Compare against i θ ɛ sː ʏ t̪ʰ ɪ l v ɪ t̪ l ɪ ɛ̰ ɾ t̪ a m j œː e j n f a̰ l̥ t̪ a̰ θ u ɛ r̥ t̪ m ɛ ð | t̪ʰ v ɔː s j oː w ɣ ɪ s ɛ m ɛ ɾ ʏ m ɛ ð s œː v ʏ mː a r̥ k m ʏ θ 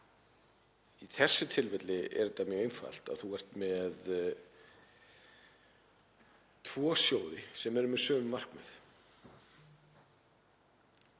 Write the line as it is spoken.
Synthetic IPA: i θ ɛ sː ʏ t̪ʰ ɪ l v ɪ t̪ l ɪ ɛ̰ ɾ t̪ a m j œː e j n f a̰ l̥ t̪ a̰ θ u ɛ r̥ t̪ m ɛ ð | t̪ʰ v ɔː s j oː w ð ɪ s ɛ m ɛ ɾ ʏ m ɛ ð s œː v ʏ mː a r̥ k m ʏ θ